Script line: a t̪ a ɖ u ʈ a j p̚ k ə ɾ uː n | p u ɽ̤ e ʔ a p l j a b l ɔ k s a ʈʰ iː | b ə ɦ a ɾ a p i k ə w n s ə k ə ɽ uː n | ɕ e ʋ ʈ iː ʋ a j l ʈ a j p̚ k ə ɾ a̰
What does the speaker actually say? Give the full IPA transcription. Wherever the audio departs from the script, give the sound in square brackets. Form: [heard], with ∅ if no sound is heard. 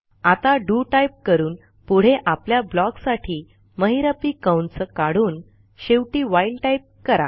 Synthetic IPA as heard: a t̪ a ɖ u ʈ a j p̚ k ə ɾ uː n | p u ɽ̤ e ʔ a p l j a b l ɔ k s a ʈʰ iː | [m] ə ɦ [i] ɾ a p i k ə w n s ə k [a] ɽ uː n | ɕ e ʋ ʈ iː ʋ a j l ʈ a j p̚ k ə ɾ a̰